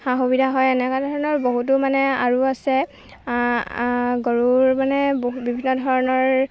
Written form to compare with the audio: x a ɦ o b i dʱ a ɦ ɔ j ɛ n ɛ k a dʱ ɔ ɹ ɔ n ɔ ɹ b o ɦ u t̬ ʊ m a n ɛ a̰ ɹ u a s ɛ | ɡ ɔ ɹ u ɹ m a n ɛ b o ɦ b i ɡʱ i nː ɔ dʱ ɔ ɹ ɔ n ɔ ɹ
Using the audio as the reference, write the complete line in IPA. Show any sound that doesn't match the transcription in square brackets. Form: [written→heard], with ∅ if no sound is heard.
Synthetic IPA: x a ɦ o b i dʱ a ɦ ɔ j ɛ n ɛ k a dʱ ɔ ɹ ɔ n ɔ ɹ b o ɦ u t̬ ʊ m a n ɛ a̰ ɹ u a s ɛ | ɡ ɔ ɹ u ɹ m a n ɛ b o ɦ b i [ɡʱ→bʱ] i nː ɔ dʱ ɔ ɹ ɔ n ɔ ɹ